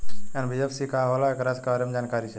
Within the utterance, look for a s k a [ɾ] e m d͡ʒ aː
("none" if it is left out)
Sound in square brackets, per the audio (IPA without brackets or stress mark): ɾ